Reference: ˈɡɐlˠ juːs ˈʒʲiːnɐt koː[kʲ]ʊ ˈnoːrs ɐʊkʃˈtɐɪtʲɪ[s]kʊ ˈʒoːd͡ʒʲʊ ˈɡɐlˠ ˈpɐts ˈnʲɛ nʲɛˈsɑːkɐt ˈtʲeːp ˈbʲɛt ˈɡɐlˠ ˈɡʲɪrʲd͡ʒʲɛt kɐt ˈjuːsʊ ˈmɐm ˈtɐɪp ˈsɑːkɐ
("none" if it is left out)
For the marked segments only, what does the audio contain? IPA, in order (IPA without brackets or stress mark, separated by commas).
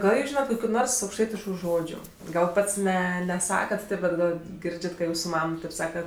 kʲ, ʃ